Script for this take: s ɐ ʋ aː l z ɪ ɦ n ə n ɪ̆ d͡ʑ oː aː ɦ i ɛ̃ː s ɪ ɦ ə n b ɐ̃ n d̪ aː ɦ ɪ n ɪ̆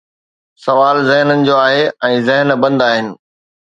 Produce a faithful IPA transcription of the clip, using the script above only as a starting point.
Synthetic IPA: s ɐ ʋ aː l z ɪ ɦ n ə n ɪ̆ d͡ʑ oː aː ɦ e ɛ̃ː z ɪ ɦ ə n b ɐ̃ n d̪ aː ɦ ɪ n ɪ̆

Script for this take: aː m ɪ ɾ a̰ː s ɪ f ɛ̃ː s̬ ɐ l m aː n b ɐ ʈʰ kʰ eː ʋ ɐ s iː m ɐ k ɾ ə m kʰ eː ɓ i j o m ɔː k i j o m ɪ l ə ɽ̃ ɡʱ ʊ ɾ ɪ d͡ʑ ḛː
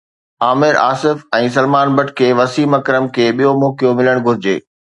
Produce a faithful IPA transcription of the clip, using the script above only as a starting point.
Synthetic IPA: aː m ɪ ɾ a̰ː s ɪ f ɛ̃ː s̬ ɐ l m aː n b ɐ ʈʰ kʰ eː ʋ ɐ s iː m ɐ k ɾ ə m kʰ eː ɓ i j o m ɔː k i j o m ɪ l ə ɽ̃ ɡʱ ʊ ɾ ɪ d͡ʑ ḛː

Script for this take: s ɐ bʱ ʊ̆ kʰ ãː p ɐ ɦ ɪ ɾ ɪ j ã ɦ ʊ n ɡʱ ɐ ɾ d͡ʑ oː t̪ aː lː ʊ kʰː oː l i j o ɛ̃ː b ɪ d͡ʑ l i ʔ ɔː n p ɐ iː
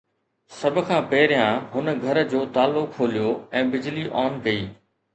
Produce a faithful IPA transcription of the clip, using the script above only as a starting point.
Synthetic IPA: s ɐ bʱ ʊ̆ kʰ ãː p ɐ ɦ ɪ ɾ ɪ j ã ɦ ʊ n ɡʱ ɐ ɾ d͡ʑ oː t̪ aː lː ʊ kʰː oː l i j o ɛ̃ː b ɪ d͡ʑ l i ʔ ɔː n k ɐ iː

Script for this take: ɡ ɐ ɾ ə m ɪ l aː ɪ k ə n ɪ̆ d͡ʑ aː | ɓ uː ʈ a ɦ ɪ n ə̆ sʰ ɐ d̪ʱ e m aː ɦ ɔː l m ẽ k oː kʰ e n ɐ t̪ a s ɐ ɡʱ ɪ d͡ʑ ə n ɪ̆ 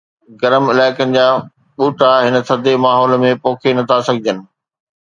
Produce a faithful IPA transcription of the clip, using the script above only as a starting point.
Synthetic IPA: ɡ ɐ ɾ ə m ɪ l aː ɪ k ə n ɪ̆ d͡ʑ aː | ɓ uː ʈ a ɦ ɪ n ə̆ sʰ ɐ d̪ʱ e m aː ɦ ɔː l m ẽ p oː kʰ e n ɐ t̪ʰ a s ɐ ɡʱ ɪ d͡ʑ ə n ɪ̆

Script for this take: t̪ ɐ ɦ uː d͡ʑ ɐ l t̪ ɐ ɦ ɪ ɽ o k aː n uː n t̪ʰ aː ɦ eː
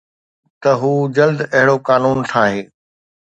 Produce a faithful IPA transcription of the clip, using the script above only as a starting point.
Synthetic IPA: t̪ ɐ ɦ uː d͡ʑ ɐ l d̪ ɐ ɦ ɪ ɽ o k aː n uː n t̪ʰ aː ɦ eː

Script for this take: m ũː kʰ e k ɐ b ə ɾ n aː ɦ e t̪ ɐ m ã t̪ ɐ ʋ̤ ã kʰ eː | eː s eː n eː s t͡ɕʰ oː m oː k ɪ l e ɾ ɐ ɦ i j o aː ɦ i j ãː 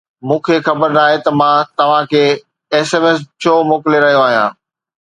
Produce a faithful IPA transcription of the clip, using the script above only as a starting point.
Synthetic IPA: m ũː kʰ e x ɐ b ə ɾ n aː ɦ e t̪ ɐ m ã t̪ ɐ ʋ̤ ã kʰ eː | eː s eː m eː s t͡ɕʰ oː m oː k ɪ l e ɾ ɐ ɦ i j o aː ɦ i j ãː

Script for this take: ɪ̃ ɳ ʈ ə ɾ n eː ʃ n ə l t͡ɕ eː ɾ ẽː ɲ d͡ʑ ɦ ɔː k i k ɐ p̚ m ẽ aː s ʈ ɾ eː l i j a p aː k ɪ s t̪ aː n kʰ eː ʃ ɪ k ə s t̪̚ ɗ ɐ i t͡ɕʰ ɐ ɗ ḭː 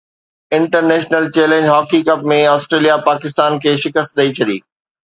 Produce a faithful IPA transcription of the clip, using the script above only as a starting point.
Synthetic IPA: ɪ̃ ɳ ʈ ə ɾ n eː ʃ n ə l t͡ɕ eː l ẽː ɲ d͡ʑ ɦ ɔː k i k ɐ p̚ m ẽ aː s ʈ ɾ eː l i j a p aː k ɪ s t̪ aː n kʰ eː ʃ ɪ k ə s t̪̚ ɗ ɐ i t͡ɕʰ ɐ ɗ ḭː

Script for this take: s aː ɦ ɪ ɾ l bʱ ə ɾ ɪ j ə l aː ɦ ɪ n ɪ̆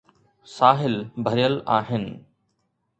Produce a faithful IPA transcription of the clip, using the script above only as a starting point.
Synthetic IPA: s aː ɦ ɪ l bʱ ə ɾ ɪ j ə l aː ɦ ɪ n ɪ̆

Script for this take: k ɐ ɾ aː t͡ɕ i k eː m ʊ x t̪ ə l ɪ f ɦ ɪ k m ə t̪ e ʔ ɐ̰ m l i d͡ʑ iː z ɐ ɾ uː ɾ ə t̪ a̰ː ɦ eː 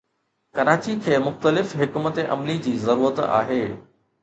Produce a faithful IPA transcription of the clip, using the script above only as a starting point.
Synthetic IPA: k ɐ ɾ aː t͡ɕ i kʰ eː m ʊ x t̪ ə l ɪ f ɦ ɪ k m ə t̪ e ʔ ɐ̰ m l i d͡ʑ iː z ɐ ɾ uː ɾ ə t̪ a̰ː ɦ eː

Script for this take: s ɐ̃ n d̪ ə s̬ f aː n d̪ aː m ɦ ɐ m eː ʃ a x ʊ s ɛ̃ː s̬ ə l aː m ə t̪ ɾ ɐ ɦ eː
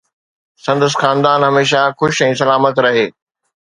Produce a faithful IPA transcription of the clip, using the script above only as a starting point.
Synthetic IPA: s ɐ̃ n d̪ ə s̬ x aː n d̪ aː n ɦ ɐ m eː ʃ a x ʊ ʃ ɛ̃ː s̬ ɐ l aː m ə t̪ ɾ ɐ ɦ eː

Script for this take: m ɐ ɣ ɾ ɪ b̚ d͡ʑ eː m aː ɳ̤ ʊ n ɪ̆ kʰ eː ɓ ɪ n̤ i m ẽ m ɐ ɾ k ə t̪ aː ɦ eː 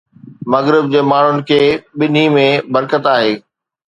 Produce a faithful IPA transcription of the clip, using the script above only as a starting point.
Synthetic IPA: m ɐ ɣ ɾ ɪ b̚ d͡ʑ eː m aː ɳ̤ ʊ n ɪ̆ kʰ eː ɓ ɪ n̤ i m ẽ b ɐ ɾ k ə t̪ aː ɦ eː

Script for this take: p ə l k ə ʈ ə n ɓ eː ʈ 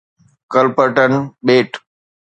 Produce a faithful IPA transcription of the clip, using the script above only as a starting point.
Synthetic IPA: k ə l p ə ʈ ə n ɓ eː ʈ

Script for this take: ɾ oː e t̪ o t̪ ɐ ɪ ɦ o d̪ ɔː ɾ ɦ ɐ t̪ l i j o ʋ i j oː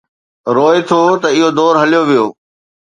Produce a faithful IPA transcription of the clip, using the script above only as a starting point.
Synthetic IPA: ɾ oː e t̪ʰ o t̪ ɐ ɪ ɦ o d̪ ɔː ɾ ɦ ɐ l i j o ʋ i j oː

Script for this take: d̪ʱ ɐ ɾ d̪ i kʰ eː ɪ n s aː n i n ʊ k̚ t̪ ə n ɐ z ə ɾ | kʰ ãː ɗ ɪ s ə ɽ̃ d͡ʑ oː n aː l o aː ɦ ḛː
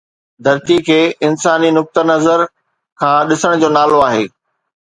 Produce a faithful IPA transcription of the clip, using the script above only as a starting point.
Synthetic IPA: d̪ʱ ɐ ɾ t̪ i kʰ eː ɪ n s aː n i n ʊ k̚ t̪ ə n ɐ z ə ɾ | kʰ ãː ɗ ɪ s ə ɽ̃ d͡ʑ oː n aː l o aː ɦ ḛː

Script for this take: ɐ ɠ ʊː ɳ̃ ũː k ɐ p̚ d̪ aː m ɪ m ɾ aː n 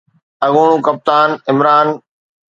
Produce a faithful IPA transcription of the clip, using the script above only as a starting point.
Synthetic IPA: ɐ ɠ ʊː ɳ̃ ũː k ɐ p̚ t̪ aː n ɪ m ɾ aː n

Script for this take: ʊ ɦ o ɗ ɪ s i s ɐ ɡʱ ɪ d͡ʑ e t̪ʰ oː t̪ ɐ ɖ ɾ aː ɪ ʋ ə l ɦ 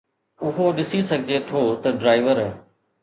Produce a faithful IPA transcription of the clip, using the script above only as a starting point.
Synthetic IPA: ʊ ɦ o ɗ ɪ s i s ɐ ɡʱ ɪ d͡ʑ e t̪ʰ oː t̪ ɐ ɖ ɾ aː ɪ ʋ ə ɾ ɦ

